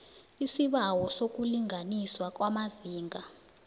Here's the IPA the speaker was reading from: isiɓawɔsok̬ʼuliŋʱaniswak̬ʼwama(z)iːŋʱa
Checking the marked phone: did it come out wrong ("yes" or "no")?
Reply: no